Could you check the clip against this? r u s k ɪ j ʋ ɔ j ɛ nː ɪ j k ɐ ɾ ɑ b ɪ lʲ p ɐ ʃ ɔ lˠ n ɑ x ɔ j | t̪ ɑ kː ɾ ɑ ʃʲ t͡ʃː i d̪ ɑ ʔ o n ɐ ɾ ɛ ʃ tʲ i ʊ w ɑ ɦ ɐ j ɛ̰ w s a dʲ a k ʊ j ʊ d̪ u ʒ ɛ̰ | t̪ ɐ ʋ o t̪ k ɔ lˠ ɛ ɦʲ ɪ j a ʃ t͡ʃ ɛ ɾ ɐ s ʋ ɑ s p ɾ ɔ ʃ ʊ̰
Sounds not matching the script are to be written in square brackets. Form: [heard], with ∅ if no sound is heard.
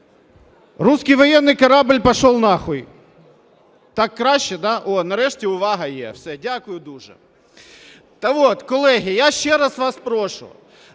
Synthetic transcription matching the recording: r u s k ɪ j ʋ ɔ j ɛ nː ɪ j k ɐ ɾ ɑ b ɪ lʲ p ɐ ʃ ɔ lˠ n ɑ x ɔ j | t̪ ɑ kː ɾ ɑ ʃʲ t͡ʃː [ɛ] d̪ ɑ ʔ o n ɐ ɾ ɛ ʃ tʲ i ʊ [ʋ] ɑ ɦ ɐ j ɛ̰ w s [ɛ] dʲ a k ʊ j ʊ d̪ u ʒ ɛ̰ | t̪ ɐ ʋ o t̪ k ɔ lˠ ɛ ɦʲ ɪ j a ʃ t͡ʃ ɛ ɾ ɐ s ʋ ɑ s p ɾ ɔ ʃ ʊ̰